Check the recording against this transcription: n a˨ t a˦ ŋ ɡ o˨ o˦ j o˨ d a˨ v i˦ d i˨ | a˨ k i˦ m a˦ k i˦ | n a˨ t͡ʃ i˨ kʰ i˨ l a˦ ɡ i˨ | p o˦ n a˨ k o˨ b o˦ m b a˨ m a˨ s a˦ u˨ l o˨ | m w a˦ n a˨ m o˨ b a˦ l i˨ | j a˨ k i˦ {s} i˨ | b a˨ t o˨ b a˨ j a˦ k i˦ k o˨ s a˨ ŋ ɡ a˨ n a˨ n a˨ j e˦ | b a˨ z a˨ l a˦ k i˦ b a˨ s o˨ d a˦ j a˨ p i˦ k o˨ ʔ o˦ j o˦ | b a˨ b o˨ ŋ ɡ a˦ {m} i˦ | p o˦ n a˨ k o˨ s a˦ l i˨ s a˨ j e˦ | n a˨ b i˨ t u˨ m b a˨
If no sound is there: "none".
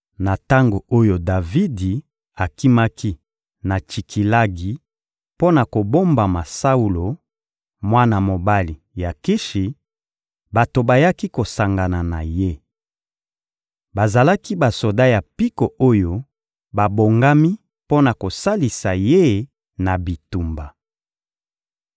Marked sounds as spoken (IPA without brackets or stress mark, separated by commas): ʃ, m